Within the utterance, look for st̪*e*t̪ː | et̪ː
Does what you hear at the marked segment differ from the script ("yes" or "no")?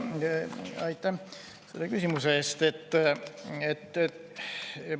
no